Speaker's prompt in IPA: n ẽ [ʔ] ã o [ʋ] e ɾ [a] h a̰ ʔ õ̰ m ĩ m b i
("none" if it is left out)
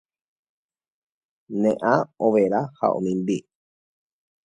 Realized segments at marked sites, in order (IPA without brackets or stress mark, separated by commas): ʔ, ʋ, a